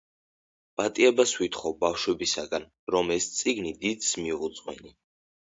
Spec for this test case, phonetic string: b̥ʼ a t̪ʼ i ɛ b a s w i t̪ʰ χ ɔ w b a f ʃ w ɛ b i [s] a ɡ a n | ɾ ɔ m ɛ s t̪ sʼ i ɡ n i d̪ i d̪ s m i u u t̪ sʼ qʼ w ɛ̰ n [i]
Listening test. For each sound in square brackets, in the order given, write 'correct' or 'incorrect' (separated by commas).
correct, correct